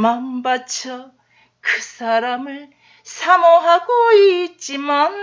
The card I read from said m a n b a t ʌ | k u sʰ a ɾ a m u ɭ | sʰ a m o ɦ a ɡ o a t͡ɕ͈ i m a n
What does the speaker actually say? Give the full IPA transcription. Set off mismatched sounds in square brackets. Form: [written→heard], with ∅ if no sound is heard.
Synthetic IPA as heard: m a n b a [t→t͡ɕʰ] ʌ | k [u→ɯ] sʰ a ɾ a m [u→ɯ] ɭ | sʰ a m o ɦ a ɡ o [a→i] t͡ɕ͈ i m a n